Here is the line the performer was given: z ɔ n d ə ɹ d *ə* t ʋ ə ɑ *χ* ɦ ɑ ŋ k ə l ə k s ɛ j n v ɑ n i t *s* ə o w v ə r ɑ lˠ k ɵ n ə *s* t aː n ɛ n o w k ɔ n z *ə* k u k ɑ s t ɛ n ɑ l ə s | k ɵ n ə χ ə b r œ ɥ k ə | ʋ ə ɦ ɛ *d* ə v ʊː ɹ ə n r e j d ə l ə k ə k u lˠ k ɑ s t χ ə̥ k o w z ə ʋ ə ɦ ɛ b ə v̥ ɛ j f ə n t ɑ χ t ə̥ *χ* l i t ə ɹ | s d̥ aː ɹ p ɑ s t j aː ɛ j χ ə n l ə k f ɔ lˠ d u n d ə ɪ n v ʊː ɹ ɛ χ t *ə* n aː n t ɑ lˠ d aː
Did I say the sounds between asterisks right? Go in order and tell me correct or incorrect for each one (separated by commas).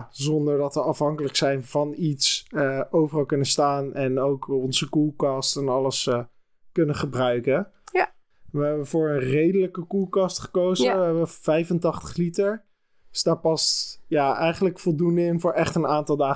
incorrect, incorrect, correct, correct, correct, incorrect, correct, correct